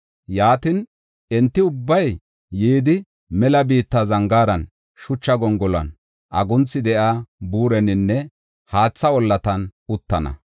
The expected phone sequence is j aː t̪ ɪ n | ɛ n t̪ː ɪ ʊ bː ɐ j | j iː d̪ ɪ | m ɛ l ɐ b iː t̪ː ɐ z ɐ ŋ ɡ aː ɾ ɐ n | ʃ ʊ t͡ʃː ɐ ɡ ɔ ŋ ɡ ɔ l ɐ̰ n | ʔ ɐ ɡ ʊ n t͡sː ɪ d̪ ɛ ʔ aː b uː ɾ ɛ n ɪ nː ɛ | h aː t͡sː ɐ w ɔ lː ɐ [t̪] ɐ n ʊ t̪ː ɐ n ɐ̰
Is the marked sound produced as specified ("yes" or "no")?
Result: yes